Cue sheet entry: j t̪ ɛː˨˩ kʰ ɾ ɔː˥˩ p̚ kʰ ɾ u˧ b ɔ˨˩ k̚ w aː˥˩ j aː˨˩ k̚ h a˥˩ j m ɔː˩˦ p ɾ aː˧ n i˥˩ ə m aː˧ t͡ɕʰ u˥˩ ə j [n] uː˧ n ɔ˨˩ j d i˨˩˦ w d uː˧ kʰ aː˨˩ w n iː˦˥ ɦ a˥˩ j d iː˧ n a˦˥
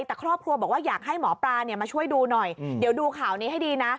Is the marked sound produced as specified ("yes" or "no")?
no